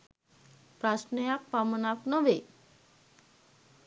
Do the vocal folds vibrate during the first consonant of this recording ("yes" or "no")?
no